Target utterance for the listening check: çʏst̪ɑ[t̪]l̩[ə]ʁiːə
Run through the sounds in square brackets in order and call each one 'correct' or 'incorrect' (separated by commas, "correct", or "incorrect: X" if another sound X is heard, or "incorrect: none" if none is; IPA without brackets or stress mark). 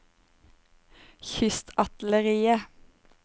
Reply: correct, correct